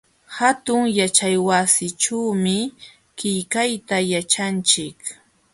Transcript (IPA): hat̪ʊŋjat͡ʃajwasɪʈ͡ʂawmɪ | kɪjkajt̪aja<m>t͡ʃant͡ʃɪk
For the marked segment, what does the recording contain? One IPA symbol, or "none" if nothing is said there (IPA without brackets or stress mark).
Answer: none